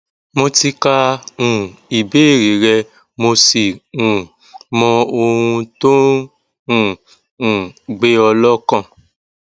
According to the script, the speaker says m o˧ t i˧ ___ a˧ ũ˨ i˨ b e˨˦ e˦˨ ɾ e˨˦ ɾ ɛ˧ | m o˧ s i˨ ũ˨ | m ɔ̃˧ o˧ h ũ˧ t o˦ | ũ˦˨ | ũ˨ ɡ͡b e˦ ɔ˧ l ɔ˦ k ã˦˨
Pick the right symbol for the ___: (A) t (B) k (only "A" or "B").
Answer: B